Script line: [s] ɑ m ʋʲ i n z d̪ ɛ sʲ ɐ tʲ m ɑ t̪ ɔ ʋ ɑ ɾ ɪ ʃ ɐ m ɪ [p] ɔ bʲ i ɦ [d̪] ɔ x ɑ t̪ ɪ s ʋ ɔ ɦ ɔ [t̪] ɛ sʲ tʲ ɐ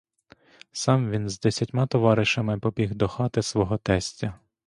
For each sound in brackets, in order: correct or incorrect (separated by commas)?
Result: correct, correct, correct, correct